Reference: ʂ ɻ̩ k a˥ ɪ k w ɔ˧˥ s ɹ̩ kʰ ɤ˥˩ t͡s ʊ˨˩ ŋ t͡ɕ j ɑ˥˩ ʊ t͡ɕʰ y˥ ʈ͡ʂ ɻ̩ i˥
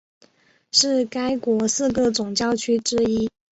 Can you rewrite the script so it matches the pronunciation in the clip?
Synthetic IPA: ʂ ɻ̩ k a˥ ɪ k w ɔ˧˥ s ɹ̩ k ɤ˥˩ t͡s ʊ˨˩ ŋ t͡ɕ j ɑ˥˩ ʊ t͡ɕʰ y˥ ʈ͡ʂ ɻ̩ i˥